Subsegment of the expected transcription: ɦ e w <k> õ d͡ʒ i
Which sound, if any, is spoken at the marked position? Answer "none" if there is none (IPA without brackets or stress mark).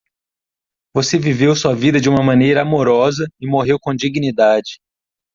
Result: k